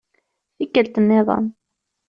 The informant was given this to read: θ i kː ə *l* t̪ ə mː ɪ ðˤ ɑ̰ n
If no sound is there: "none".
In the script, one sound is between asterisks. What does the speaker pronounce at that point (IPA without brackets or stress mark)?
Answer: l